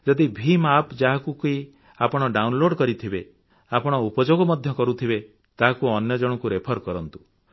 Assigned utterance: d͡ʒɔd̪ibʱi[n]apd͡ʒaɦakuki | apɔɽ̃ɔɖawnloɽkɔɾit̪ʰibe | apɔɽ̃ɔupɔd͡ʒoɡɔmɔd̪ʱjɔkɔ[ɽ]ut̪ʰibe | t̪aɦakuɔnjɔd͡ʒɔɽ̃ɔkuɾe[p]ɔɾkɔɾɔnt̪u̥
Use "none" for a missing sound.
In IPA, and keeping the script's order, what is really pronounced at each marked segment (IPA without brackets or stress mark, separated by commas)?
m, ɾ, pʰ